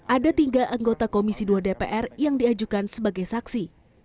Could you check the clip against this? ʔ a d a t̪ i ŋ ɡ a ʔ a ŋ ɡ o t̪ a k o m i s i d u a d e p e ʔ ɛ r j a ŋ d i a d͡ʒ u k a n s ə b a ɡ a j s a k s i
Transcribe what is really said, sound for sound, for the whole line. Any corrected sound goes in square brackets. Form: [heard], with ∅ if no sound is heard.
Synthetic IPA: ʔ a d a t̪ i ŋ ɡ a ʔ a ŋ ɡ o t̪ a k o m i s i d u a d e p e ʔ ɛ r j a ŋ d i a d͡ʒ u k a n s ə b a ɡ a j s a k s i